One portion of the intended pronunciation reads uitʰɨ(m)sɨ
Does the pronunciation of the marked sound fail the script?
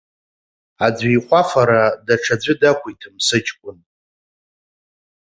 no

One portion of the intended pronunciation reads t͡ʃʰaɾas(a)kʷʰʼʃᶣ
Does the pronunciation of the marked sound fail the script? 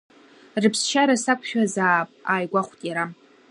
no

